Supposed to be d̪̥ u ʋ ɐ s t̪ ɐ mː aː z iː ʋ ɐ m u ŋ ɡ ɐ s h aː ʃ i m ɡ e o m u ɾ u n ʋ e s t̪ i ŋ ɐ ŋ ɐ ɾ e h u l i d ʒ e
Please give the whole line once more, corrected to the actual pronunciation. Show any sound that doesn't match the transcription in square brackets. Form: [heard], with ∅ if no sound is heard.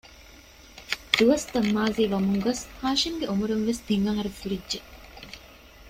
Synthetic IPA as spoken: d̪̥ u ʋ ɐ s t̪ ɐ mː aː z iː ʋ ɐ m u ŋ ɡ ɐ s h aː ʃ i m ɡ e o m u ɾ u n ʋ e s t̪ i ŋ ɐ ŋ ɐ ɾ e [f] u [ɾ] i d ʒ e